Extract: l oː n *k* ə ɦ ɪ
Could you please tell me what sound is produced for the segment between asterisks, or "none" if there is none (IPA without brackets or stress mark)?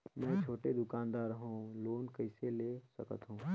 k